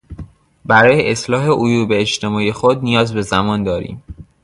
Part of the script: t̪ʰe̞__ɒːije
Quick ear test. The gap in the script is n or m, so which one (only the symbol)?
m